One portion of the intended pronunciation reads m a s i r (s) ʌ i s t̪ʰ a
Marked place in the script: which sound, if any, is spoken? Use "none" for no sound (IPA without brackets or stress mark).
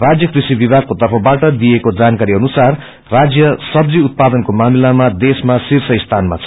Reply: s